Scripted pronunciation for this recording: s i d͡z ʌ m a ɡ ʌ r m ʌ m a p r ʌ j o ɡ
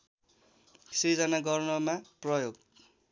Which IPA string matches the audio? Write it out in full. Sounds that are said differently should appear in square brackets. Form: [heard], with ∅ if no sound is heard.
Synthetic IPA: s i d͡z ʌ [n] a ɡ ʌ r [n] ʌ m a p r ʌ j o ɡ